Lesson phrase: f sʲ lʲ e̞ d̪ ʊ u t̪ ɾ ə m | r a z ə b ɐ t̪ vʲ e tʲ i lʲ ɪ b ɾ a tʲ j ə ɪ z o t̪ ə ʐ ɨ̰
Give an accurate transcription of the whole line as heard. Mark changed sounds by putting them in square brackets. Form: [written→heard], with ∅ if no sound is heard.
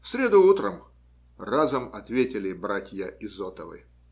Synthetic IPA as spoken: f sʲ [lʲ→ɾʲ] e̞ d̪ ʊ u t̪ ɾ ə m | r a z ə [b→m] ɐ t̪ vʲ e tʲ [i→ɪ] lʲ ɪ b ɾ a tʲ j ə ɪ z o t̪ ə [ʐ→v] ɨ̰